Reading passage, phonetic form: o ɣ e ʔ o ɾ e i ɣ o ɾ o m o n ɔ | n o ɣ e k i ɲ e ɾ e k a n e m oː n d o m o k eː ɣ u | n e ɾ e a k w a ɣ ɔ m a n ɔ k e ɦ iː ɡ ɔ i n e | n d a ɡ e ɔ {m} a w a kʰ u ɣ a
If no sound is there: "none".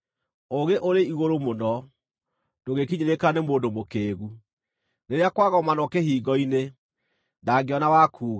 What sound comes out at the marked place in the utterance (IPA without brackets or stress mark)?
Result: n